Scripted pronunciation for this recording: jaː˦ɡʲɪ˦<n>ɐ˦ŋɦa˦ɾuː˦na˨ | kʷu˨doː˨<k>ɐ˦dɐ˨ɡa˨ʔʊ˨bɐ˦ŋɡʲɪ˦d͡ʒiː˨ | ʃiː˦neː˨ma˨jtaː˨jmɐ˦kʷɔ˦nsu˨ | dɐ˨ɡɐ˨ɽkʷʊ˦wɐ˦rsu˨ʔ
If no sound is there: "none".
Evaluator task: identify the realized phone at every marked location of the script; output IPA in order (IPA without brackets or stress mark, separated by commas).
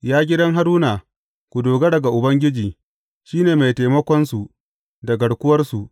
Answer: d, ɡ